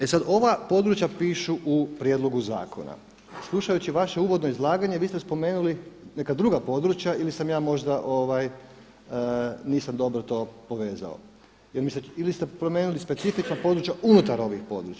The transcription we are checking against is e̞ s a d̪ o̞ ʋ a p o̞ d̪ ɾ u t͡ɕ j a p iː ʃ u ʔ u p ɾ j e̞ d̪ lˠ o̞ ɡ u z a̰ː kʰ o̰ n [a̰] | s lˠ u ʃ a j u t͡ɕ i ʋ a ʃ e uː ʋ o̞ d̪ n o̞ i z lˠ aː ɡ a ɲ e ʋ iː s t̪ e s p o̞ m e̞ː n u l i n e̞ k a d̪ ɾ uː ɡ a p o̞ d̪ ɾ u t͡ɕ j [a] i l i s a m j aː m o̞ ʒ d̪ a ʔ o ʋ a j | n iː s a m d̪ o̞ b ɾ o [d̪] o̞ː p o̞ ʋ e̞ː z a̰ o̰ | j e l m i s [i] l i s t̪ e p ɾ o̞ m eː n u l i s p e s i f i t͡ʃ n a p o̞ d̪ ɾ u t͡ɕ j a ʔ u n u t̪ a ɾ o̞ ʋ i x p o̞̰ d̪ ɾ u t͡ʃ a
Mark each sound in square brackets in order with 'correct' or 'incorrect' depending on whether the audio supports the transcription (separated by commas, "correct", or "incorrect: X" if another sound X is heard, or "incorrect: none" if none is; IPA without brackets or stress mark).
correct, correct, incorrect: t̪, correct